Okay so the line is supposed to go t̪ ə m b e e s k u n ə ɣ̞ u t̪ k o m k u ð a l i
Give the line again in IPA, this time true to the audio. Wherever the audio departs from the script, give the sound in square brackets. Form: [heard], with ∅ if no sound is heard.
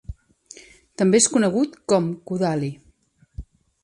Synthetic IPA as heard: t̪ ə m b e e s k u n ə ɣ̞ u t̪ k [ɔ] m k u ð a l i